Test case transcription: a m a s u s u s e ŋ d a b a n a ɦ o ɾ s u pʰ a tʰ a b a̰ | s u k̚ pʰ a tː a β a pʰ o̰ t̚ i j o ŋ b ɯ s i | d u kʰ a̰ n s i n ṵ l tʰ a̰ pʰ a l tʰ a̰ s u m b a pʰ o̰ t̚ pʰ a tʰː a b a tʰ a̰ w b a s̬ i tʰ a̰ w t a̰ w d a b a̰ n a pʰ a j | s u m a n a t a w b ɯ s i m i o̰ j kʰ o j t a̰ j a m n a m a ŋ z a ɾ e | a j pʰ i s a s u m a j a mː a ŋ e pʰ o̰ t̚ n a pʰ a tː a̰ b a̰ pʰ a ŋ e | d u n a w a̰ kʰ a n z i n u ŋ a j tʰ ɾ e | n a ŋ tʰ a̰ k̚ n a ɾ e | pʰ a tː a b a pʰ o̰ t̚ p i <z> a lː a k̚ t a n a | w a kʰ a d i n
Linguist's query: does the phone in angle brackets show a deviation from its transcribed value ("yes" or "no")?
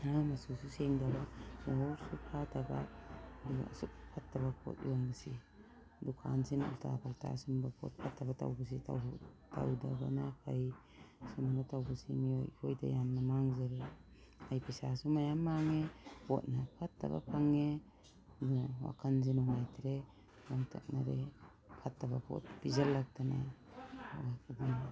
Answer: no